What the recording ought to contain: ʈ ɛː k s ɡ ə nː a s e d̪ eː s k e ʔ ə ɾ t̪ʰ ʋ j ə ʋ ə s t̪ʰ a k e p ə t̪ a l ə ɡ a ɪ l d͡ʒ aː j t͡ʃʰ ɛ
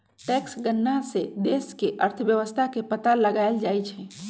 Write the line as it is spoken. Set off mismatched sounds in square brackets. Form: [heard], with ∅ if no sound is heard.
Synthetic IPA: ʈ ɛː k s ɡ ə nː a s e d̪ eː s k e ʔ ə ɾ t̪ʰ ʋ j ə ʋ ə s t̪ʰ a k e p ə t̪ a l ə ɡ a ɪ l d͡ʒ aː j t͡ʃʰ ɛ